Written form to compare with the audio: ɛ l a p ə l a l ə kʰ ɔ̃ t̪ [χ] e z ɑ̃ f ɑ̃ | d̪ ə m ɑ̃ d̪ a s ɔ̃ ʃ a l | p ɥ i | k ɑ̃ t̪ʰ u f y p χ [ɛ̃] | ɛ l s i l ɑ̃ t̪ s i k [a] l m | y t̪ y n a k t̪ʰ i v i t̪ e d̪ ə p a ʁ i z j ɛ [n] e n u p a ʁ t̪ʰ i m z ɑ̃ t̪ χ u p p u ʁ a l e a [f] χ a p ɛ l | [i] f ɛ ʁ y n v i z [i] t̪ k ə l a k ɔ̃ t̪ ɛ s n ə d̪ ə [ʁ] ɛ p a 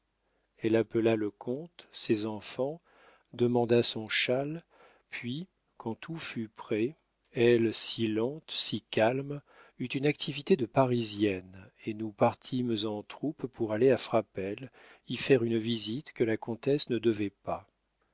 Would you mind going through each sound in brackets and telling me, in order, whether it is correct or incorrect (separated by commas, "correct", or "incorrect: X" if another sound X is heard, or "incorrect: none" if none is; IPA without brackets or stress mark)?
incorrect: s, incorrect: ɛ, correct, correct, correct, correct, correct, incorrect: v